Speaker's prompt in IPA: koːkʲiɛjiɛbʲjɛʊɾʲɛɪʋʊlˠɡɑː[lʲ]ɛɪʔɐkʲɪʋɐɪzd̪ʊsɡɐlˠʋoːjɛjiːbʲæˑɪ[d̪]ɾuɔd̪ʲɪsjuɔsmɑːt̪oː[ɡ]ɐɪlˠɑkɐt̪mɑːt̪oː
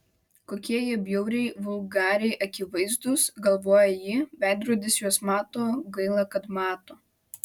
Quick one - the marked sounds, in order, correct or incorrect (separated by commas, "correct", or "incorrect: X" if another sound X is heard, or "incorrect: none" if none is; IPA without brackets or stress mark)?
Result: incorrect: ɾʲ, correct, correct